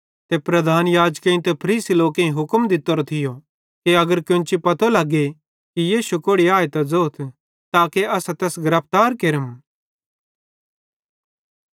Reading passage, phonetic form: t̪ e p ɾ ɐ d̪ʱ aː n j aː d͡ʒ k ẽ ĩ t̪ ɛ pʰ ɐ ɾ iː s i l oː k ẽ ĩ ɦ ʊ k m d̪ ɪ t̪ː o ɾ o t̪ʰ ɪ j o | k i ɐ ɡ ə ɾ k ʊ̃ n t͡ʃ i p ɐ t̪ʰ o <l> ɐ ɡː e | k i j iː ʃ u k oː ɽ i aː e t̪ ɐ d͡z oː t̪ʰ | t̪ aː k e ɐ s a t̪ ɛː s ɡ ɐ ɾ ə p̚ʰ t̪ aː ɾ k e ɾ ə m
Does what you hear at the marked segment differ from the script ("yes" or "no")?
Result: no